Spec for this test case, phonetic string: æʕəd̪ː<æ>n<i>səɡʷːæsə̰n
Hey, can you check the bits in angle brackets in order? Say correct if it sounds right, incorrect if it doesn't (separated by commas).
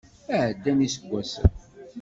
correct, correct